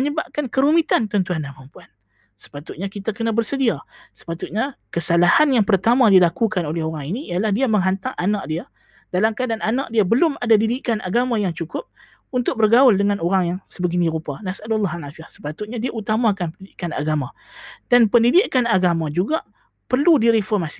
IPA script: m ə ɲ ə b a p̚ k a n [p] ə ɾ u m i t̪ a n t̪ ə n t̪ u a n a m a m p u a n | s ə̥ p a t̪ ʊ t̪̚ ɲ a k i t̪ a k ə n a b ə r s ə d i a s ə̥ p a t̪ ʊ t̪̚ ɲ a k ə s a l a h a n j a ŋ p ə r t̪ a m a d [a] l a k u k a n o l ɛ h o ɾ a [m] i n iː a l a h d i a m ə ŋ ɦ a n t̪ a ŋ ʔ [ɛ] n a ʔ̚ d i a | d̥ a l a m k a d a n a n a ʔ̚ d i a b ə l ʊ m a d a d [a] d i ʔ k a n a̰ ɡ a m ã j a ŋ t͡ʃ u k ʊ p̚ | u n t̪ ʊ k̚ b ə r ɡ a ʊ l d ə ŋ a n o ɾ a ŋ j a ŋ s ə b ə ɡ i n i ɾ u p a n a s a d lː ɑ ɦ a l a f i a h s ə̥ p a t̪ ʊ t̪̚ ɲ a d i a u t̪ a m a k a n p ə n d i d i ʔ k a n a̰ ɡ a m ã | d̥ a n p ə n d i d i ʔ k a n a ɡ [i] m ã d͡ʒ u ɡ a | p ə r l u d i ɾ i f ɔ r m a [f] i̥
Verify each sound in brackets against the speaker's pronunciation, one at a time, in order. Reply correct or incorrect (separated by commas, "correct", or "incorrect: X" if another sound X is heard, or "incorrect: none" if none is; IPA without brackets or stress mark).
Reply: incorrect: k, incorrect: i, incorrect: ŋ, incorrect: a, incorrect: i, incorrect: a, incorrect: s